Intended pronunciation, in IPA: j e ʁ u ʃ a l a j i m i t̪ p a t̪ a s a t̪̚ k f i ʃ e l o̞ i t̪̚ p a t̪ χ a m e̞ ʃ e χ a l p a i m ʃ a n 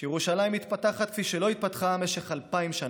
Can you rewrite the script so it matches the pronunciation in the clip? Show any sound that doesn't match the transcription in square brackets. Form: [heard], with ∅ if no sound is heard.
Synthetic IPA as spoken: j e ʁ u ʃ a l a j i m i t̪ p a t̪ a [χ] a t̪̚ k f i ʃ e l o̞ i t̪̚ p a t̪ χ a m e̞ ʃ e χ a l p a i m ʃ a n